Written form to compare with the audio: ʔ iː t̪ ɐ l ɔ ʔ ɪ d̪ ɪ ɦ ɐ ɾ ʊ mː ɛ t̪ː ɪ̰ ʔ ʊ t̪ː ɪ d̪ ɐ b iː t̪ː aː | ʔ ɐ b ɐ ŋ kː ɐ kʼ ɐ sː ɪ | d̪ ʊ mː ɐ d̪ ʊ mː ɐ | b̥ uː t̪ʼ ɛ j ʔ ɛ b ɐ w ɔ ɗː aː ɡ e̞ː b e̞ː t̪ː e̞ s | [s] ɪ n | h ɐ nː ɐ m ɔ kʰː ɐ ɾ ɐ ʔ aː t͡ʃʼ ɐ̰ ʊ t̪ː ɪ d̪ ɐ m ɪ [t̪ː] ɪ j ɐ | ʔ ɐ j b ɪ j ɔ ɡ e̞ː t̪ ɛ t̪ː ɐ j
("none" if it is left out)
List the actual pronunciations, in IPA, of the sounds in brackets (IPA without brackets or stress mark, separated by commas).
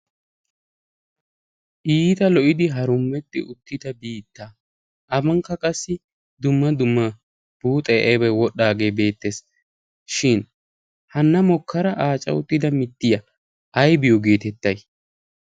ʃ, t̪ː